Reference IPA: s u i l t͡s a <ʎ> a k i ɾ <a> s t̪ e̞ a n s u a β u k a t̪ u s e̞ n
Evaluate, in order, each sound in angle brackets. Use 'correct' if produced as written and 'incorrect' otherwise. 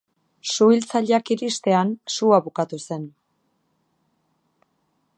correct, incorrect: i

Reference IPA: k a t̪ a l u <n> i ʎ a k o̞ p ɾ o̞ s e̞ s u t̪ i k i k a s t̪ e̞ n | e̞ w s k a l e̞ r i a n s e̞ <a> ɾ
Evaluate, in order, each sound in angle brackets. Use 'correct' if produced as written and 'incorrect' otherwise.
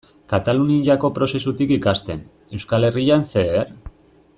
correct, incorrect: e

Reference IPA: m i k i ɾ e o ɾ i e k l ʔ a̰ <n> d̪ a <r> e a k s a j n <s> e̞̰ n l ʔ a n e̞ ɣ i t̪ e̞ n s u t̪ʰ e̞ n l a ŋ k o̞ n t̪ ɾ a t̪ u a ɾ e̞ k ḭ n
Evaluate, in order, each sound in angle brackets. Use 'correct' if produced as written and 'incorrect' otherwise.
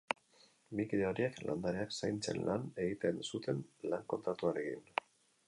correct, incorrect: ɾ, incorrect: t͡s

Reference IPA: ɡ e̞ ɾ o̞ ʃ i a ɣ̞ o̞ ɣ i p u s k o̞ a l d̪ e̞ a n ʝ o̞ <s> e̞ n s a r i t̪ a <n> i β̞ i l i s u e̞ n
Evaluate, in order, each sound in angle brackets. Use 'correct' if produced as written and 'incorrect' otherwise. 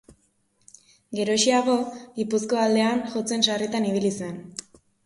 incorrect: t͡s, correct

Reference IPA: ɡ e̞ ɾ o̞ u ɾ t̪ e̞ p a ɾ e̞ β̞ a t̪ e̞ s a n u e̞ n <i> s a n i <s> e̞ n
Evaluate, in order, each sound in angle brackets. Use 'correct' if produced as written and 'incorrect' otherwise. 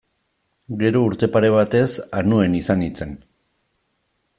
correct, incorrect: t͡s

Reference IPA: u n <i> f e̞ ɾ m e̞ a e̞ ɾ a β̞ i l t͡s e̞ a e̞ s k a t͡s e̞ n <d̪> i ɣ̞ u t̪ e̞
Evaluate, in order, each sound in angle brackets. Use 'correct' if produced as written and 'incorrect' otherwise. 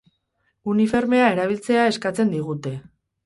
correct, correct

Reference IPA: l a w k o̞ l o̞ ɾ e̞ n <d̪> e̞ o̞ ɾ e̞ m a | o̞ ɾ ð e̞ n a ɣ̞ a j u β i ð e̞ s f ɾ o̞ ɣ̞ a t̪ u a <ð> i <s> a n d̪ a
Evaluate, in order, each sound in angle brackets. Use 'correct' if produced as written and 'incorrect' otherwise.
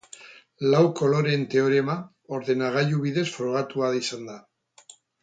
incorrect: t̪, correct, correct

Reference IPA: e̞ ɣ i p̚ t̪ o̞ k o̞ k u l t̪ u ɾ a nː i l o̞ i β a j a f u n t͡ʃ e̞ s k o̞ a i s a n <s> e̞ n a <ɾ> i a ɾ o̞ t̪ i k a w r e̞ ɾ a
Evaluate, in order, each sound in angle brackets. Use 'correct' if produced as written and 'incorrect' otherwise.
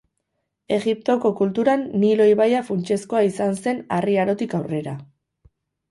correct, incorrect: r

